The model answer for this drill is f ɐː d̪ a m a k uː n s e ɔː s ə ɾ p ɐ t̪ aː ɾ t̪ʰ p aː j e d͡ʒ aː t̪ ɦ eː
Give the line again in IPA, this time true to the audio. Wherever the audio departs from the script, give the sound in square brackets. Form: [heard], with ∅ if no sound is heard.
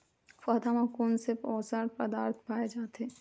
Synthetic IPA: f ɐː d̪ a m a k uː n s e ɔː s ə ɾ p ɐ [d̪] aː ɾ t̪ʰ p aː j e d͡ʒ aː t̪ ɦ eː